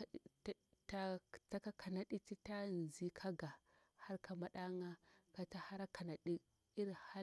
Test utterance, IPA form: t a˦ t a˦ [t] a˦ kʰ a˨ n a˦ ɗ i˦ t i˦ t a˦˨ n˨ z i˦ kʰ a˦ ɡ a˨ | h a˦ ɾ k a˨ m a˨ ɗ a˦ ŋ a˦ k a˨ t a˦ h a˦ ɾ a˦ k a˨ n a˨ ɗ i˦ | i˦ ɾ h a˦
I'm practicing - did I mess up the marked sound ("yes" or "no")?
yes